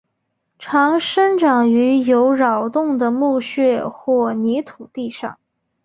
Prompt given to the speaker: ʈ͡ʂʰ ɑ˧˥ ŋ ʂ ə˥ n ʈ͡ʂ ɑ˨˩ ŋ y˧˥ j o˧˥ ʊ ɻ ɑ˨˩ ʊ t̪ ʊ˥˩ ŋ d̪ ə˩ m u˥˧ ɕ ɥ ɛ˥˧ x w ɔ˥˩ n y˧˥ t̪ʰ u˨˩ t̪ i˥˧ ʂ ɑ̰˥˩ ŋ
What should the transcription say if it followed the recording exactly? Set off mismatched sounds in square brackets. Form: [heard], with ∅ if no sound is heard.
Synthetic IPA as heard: ʈ͡ʂʰ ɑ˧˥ ŋ ʂ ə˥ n ʈ͡ʂ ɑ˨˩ ŋ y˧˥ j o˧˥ ʊ ɻ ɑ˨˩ ʊ t̪ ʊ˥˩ ŋ d̪ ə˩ m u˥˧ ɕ ɥ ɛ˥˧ x w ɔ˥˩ n [i˧˥] t̪ʰ u˨˩ t̪ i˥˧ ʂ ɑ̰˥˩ ŋ